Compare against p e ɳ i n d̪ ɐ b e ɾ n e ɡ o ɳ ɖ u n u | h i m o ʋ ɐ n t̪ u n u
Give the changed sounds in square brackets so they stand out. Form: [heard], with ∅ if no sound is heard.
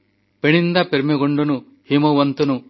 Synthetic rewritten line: p e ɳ i n d̪ ɐ [p] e ɾ [m] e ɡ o ɳ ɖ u n u | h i m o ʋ ɐ n t̪ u n u